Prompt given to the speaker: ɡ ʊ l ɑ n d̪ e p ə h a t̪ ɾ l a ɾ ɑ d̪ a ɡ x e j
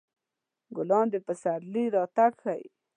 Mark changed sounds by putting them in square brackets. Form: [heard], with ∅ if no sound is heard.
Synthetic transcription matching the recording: ɡ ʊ l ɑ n d̪ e p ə [s] a [∅] ɾ l [i] ɾ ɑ [t̪] a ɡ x [a] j